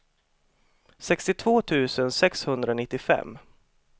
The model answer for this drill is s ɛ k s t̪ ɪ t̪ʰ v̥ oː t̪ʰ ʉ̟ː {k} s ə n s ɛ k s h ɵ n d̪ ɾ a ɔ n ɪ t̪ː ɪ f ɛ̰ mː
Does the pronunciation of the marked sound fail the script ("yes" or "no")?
yes